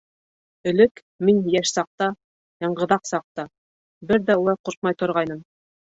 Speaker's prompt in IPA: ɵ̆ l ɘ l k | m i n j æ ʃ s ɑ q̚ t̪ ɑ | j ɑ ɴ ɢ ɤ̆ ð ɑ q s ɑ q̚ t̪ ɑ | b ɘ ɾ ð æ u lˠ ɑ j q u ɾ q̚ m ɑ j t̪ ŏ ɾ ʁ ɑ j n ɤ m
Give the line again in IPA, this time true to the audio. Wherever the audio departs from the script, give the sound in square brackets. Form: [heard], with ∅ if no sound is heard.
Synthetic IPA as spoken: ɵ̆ l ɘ [∅] k | m i n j æ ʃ s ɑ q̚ t̪ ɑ | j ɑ ɴ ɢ ɤ̆ ð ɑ q s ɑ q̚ t̪ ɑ | b ɘ ɾ ð æ u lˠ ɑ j q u ɾ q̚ m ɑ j t̪ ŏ ɾ ʁ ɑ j n ɤ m